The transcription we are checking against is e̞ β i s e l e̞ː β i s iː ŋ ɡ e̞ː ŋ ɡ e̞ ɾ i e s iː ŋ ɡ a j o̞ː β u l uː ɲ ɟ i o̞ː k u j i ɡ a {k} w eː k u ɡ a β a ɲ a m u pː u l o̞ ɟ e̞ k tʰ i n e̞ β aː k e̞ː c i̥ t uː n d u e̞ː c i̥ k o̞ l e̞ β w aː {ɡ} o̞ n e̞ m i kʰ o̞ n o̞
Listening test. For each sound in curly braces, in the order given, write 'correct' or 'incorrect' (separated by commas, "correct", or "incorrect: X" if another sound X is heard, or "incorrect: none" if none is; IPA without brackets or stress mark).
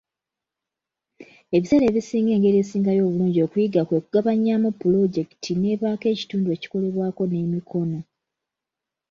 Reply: correct, incorrect: k